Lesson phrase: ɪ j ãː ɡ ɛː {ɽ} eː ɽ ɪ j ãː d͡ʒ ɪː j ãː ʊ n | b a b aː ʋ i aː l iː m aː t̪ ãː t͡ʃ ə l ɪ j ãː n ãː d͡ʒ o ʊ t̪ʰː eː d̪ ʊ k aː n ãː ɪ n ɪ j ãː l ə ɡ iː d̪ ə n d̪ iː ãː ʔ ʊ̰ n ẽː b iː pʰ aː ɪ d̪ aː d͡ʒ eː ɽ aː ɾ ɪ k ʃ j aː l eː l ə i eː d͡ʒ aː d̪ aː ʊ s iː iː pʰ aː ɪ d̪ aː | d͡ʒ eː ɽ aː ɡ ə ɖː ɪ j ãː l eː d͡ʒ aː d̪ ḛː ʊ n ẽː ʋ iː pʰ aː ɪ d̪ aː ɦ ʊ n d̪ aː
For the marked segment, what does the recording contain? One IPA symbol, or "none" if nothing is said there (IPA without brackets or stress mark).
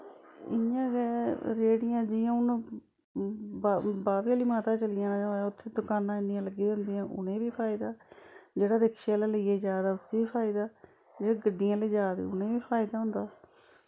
ɾ